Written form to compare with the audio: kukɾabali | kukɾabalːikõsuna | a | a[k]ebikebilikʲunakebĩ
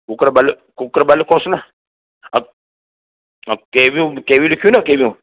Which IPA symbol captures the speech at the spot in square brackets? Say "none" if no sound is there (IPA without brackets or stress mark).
k